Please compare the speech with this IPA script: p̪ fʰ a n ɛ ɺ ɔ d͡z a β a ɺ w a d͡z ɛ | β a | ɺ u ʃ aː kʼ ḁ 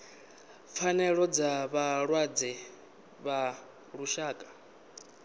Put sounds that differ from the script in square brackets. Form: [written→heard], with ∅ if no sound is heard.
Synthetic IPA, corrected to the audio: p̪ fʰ a n ɛ ɺ ɔ d͡z a β a ɺ w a d͡z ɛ | β a | ɺ u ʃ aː kʼ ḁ